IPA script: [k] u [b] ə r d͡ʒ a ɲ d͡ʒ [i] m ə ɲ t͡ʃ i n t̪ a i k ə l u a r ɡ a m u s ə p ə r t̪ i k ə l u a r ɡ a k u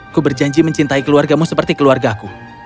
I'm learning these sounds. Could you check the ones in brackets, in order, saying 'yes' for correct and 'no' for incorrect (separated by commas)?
yes, yes, yes